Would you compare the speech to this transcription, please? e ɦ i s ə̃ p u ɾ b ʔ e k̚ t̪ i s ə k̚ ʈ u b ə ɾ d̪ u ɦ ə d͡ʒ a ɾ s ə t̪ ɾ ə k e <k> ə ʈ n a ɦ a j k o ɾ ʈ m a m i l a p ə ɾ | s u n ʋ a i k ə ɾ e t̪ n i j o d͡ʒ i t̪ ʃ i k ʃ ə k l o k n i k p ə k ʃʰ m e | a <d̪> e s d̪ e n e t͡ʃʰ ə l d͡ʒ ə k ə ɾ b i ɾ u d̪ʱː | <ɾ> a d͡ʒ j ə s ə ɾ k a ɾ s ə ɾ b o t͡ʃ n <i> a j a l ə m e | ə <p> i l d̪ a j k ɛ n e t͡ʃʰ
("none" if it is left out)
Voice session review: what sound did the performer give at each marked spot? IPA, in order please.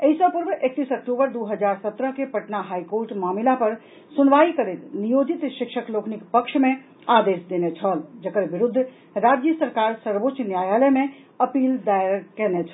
p, d̪, ɾ, j, p

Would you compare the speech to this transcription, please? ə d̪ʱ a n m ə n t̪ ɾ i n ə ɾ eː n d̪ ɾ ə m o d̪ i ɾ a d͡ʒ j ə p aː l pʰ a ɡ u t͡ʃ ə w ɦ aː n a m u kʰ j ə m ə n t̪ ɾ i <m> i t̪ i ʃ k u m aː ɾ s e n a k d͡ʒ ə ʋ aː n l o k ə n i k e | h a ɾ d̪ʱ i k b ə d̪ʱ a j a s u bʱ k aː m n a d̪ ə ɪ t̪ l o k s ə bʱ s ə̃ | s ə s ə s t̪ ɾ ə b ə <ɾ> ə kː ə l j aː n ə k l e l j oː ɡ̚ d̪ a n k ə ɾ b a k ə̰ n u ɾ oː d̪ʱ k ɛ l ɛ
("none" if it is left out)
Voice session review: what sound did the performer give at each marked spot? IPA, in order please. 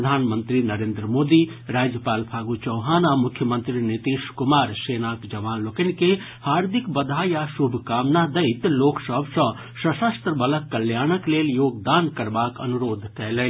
n, l

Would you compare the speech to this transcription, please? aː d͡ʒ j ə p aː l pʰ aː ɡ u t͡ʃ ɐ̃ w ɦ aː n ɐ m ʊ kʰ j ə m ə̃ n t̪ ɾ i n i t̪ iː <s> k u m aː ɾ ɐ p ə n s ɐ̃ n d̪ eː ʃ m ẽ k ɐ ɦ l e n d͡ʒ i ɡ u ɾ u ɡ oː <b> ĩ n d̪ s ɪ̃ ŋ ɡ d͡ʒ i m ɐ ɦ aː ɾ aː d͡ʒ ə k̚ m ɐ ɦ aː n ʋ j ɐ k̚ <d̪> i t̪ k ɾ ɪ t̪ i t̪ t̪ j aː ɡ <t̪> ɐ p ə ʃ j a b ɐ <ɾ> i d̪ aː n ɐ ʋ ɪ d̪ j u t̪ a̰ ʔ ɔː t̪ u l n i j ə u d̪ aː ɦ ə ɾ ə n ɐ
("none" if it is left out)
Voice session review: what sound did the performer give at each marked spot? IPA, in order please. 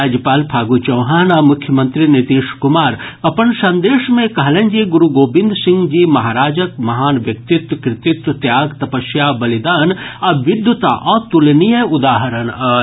ʃ, b, t̪, t̪, l

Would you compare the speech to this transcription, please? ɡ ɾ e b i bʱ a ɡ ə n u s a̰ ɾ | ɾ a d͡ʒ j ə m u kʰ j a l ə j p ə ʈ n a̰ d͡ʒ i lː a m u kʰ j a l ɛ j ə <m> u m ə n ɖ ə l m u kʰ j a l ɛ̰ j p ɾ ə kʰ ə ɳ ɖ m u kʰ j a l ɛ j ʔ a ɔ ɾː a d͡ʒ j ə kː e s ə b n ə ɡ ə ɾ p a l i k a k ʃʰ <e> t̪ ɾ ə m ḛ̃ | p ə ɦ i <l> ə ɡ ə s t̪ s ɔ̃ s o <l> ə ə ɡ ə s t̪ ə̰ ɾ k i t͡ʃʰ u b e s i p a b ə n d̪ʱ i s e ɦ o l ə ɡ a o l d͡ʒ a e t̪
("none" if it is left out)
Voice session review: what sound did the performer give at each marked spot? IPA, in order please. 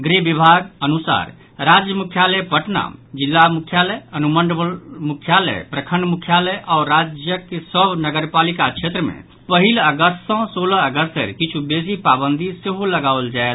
n, e, l, l

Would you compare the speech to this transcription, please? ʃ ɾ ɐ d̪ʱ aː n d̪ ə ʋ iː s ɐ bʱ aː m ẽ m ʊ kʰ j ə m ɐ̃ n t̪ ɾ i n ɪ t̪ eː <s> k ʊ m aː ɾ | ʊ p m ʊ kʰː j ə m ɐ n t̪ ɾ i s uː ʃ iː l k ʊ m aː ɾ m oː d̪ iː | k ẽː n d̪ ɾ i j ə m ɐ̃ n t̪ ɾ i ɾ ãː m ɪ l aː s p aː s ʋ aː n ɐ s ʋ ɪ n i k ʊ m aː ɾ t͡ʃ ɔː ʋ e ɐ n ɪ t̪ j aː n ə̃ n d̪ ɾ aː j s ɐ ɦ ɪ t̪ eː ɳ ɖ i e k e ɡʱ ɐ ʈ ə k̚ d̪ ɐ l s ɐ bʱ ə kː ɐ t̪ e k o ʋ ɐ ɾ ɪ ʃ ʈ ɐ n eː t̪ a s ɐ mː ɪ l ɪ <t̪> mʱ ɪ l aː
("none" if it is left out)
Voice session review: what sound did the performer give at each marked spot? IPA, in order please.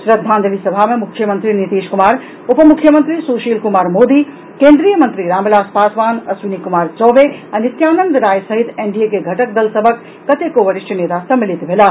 ʃ, t̪

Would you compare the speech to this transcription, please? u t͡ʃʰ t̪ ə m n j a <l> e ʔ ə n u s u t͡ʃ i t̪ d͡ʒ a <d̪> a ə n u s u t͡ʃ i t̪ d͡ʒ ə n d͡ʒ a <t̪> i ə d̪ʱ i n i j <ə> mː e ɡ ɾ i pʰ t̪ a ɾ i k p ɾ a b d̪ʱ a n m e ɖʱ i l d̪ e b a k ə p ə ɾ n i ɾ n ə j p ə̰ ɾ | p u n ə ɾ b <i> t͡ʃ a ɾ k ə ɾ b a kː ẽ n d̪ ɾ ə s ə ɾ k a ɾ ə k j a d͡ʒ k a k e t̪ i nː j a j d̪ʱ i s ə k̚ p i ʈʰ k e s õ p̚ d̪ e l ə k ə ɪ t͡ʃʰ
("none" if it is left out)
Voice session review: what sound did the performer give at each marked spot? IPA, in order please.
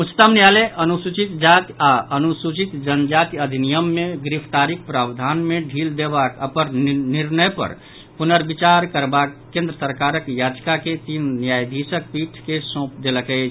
l, t̪, t̪, ə, i

